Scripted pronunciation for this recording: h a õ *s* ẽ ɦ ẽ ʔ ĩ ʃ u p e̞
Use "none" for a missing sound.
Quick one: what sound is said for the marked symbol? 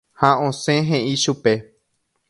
s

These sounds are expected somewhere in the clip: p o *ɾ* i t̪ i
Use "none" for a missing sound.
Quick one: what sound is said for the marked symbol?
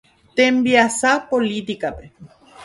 l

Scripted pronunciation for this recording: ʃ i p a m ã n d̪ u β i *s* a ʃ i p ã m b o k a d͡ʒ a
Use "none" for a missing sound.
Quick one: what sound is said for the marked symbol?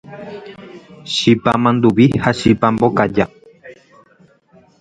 h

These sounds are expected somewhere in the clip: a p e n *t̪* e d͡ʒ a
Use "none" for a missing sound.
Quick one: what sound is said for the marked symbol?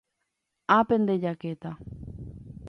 d̪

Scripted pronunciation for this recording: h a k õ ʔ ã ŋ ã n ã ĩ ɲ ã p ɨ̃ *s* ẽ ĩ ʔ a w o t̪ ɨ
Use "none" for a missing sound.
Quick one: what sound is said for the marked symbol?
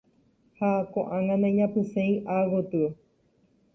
s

